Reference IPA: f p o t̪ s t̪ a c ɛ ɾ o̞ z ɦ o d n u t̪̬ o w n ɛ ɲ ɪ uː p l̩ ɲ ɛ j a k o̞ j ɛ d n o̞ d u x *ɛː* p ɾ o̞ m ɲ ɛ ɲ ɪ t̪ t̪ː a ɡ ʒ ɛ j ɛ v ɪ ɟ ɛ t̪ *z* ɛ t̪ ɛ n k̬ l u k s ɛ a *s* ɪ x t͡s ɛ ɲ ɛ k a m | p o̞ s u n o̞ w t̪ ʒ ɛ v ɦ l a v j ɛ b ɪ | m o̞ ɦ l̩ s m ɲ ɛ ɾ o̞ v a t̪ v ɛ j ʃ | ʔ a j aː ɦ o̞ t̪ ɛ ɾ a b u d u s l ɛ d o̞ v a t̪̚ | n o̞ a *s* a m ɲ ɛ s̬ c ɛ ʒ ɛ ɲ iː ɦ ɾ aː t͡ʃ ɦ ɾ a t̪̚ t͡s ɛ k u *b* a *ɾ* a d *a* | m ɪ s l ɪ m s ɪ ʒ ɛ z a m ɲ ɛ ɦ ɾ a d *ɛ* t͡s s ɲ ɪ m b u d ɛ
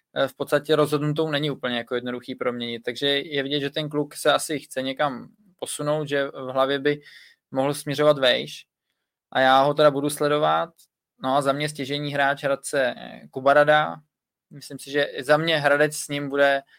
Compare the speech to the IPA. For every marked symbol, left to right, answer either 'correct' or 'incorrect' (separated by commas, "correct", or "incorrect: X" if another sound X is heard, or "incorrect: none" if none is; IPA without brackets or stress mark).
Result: incorrect: iː, incorrect: ʒ, correct, incorrect: z, correct, correct, correct, correct